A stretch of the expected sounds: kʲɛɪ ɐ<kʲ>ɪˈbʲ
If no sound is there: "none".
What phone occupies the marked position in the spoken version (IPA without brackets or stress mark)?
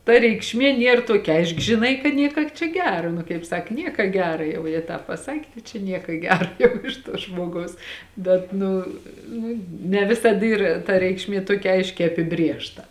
pʲ